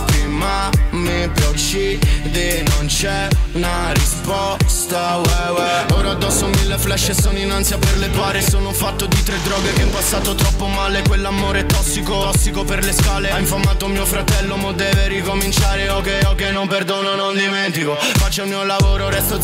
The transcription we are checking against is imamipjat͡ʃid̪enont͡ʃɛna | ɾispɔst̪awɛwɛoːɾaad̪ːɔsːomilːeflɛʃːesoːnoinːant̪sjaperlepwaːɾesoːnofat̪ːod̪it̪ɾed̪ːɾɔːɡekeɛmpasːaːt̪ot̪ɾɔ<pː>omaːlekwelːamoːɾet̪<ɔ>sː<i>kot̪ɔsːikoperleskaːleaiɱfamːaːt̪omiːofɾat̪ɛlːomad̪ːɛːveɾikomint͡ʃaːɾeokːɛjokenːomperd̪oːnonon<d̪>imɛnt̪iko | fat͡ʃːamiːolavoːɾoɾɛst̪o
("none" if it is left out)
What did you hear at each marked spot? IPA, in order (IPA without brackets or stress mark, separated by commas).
pː, ɔ, i, d̪